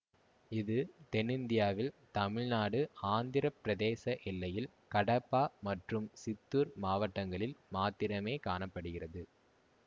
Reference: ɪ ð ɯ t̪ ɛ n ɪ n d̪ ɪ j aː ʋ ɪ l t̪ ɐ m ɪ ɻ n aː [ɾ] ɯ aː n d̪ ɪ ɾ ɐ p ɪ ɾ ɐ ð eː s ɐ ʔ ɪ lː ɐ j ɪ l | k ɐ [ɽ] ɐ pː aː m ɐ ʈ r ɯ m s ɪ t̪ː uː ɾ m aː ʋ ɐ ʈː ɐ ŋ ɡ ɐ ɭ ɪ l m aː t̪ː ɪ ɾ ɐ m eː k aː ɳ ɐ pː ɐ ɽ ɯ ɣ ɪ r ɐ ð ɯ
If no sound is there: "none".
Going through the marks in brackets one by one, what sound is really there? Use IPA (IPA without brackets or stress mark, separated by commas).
ɽ, ɽ